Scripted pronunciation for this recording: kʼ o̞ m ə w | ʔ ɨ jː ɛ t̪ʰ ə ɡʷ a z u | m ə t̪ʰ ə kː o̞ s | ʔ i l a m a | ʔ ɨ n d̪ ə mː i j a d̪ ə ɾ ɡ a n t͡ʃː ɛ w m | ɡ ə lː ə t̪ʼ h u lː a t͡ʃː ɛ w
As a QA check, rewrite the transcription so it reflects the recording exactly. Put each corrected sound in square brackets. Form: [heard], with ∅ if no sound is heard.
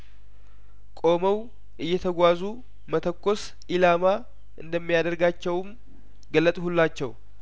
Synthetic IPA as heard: kʼ o̞ m ə w | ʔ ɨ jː ɛ t̪ʰ ə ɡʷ a z u | m ə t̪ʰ ə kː o̞ s | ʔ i l a m a | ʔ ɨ n d̪ ə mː i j a d̪ ə ɾ ɡ a [∅] t͡ʃː ɛ w m | ɡ ə lː ə t̪ʼ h u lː a t͡ʃː ɛ w